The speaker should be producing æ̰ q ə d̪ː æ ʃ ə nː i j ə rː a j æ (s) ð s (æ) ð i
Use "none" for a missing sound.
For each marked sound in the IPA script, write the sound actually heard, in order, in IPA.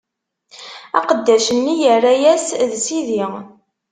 s, i

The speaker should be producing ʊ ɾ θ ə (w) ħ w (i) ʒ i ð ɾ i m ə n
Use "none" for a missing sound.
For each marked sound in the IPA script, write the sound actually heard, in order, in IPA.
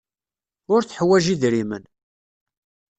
none, æ

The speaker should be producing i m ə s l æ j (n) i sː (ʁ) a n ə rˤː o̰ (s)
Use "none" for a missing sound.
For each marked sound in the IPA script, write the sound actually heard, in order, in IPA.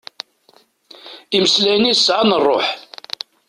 n, ʕ, ħ

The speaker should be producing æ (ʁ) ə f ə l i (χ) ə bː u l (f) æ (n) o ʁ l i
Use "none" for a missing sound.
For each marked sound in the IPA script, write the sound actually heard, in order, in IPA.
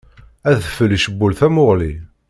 ð, ʃ, θ, m

